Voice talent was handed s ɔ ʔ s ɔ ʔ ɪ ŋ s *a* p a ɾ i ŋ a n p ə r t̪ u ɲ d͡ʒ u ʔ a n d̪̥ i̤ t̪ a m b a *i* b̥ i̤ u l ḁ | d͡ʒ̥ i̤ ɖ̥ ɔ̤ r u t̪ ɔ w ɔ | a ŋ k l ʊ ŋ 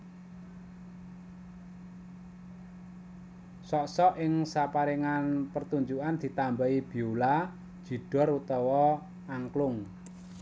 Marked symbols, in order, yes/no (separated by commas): yes, yes